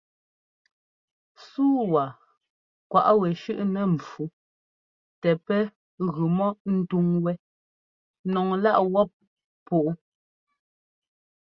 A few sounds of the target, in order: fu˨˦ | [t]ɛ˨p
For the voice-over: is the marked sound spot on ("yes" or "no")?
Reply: yes